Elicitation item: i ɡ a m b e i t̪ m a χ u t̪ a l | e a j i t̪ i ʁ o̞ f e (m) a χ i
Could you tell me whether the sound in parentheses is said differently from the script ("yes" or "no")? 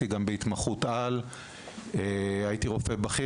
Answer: yes